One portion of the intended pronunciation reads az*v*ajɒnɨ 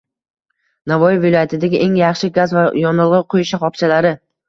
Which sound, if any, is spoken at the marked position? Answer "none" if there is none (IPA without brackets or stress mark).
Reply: v